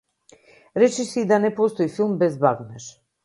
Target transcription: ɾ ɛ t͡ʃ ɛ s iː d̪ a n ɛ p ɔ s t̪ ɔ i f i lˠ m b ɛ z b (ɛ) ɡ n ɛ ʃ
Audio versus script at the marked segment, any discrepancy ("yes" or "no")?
yes